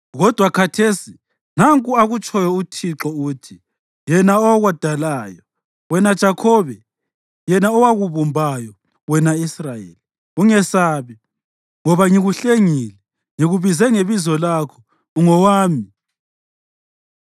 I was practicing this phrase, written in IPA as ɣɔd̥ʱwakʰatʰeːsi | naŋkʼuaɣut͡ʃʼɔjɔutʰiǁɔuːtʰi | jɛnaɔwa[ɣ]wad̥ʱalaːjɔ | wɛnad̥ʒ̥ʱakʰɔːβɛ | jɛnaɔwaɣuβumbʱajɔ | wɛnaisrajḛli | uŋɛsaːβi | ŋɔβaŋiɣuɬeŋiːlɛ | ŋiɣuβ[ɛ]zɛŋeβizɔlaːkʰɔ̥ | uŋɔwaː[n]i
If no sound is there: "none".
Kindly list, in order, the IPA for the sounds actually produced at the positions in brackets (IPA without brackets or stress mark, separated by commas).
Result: ɣ, i, m